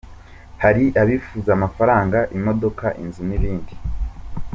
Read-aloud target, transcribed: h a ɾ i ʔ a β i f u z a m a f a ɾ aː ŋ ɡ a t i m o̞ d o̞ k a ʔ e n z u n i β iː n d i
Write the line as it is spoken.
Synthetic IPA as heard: h a ɾ i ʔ a β i f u z a m a f a ɾ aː ŋ ɡ a ʔ i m o̞ d o̞ k a ʔ i n z u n i β iː n d i